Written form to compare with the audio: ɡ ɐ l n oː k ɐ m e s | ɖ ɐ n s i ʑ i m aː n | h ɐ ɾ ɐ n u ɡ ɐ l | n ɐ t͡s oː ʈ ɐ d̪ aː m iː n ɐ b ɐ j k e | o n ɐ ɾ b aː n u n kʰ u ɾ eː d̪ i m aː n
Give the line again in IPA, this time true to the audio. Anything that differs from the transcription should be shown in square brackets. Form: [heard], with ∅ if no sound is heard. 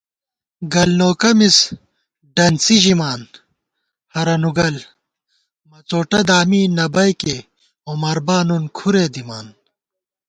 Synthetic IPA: ɡ ɐ l n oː k ɐ m [i] s | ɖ ɐ n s i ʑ i m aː n | h ɐ ɾ ɐ n u ɡ ɐ l | [m] ɐ t͡s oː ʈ ɐ d̪ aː m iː n ɐ b ɐ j k e | o [m] ɐ ɾ b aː n u n kʰ u ɾ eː d̪ i m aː n

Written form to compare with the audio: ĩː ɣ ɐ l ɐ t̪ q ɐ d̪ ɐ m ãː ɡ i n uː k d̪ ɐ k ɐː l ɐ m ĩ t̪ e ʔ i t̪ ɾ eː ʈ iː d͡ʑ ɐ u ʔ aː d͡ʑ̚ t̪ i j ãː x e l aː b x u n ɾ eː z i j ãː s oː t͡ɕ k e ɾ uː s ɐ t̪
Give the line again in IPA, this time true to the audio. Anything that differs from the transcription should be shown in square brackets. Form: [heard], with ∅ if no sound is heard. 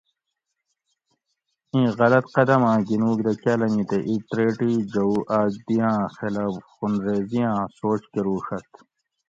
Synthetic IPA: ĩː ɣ ɐ l ɐ t̪ q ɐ d̪ ɐ m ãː ɡ i n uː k d̪ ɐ k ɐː l ɐ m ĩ t̪ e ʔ i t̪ ɾ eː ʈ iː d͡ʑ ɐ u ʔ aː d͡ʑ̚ [d̪] i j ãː x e l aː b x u n ɾ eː z i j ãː s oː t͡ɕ k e ɾ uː [ʂ] ɐ t̪

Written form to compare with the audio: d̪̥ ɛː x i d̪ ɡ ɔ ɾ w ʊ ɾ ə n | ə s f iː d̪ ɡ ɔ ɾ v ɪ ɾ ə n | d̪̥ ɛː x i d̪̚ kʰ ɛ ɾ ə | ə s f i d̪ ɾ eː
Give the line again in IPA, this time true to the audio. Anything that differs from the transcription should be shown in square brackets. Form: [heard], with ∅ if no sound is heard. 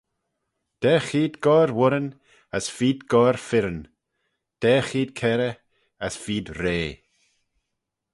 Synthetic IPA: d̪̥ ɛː x [iː] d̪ ɡ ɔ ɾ w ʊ ɾ ə n | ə s f iː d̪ ɡ ɔ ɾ [f] ɪ ɾ ə n | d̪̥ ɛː x [iː] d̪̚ kʰ ɛ ɾ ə | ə s f [iː] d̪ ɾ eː

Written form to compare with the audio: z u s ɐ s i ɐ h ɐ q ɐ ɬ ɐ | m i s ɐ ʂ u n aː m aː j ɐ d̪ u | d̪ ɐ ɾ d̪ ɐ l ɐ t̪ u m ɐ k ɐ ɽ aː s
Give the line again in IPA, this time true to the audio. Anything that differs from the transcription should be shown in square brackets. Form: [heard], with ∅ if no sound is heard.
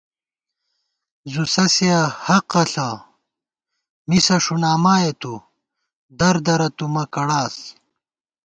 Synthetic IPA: z u s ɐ s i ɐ h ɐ q ɐ ɬ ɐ | m i s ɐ ʂ u n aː m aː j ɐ [t̪] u | d̪ ɐ ɾ d̪ ɐ [ɾ] ɐ t̪ u m ɐ k ɐ ɽ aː s

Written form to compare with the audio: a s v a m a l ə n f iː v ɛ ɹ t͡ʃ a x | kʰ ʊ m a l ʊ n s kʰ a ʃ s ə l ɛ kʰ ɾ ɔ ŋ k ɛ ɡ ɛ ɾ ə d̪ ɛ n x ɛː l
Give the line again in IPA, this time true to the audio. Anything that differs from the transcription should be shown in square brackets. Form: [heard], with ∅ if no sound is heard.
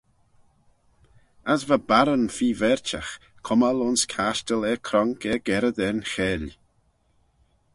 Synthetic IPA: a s v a [b] a [ɾ] ə n f iː v ɛ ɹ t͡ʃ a x | kʰ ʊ m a l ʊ n s kʰ a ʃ [t] ə l ɛ kʰ ɾ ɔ ŋ k ɛ ɡ ɛ ɾ ə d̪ ɛ n x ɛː l

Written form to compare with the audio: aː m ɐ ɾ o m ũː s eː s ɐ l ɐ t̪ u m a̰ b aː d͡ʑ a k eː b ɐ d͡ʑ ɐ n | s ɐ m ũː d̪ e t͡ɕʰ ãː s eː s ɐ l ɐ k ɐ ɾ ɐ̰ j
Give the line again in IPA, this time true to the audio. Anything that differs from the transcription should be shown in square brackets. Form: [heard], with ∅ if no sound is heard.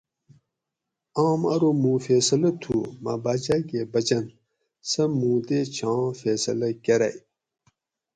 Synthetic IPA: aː m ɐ ɾ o m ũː [f] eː s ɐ l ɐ [t̪ʰ] u m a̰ b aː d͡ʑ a k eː b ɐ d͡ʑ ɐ n | s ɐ m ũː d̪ e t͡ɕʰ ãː [f] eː s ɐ l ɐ k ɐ ɾ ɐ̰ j

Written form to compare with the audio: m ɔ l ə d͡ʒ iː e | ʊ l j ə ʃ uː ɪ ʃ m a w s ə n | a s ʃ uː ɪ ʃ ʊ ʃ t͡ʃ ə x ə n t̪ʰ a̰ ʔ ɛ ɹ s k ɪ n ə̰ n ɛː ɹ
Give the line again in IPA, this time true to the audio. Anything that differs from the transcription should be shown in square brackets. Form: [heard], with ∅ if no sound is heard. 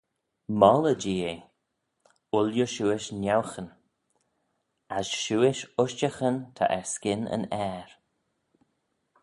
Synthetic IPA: m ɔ l ə d͡ʒ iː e | ʊ l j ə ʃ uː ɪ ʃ [n] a w [x] ə n | a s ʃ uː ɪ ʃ ʊ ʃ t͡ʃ ə x ə n t̪ʰ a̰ ʔ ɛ ɹ s k ɪ n ə̰ n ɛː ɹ

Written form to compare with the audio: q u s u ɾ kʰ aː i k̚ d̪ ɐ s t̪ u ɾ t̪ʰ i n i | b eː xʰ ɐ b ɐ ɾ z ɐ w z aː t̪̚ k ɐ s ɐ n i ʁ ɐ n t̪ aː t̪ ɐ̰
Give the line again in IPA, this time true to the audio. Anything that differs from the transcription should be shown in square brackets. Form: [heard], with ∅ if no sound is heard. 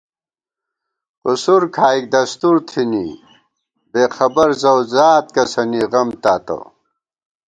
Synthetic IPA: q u s u ɾ kʰ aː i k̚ d̪ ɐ s t̪ u ɾ t̪ʰ i n i | b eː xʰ ɐ b ɐ ɾ z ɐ w z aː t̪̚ k ɐ s ɐ n i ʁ ɐ [m] t̪ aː t̪ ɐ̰

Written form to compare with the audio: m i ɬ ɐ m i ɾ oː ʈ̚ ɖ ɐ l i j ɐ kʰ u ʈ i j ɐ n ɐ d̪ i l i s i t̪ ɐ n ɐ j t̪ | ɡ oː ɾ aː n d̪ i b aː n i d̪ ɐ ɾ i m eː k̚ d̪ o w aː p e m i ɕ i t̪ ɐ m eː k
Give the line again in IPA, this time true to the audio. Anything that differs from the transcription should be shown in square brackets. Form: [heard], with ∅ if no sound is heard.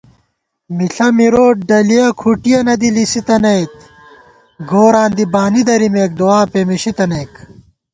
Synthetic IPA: m i ɬ ɐ m i ɾ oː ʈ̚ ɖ ɐ l i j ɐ kʰ u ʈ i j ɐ n ɐ d̪ i l i s i t̪ ɐ n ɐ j t̪ | ɡ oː ɾ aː n d̪ i b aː n i d̪ ɐ ɾ i m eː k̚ d̪ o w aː p e m i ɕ i t̪ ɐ [n] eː k

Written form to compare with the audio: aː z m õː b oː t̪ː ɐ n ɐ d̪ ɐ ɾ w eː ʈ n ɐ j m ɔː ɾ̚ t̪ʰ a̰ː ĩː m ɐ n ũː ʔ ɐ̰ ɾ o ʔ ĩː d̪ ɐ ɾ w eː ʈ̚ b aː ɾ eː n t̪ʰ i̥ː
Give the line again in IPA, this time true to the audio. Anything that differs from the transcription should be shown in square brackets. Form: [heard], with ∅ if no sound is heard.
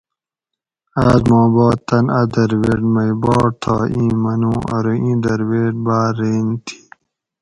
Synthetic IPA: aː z m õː b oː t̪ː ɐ n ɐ d̪ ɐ ɾ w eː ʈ [m] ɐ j [b] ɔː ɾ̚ t̪ʰ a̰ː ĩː m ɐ n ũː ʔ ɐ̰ ɾ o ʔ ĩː d̪ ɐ ɾ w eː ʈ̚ b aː ɾ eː n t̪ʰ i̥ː

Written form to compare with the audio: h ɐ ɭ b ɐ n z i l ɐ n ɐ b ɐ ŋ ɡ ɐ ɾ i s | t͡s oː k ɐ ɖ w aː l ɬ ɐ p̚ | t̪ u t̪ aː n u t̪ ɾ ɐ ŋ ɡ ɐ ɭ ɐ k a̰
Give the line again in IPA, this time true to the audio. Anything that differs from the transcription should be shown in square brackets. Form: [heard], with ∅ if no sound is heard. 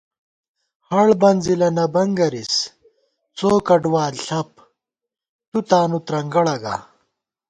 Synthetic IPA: h ɐ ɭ b ɐ n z i l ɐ n ɐ b ɐ ŋ ɡ ɐ ɾ i s | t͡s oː k ɐ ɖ w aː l ɬ ɐ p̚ | t̪ u t̪ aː n u t̪ ɾ ɐ ŋ ɡ ɐ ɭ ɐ [ɡ] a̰

